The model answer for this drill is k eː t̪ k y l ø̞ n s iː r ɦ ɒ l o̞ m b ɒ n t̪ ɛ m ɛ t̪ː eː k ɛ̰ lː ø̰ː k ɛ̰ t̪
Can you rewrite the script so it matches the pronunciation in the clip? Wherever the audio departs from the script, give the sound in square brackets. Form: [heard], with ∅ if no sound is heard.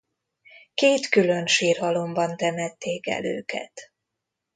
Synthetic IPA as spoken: k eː t̪ k y l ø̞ n [ʃ] iː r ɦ ɒ l o̞ m b ɒ n t̪ ɛ m ɛ t̪ː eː k ɛ̰ [l] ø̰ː k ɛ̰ t̪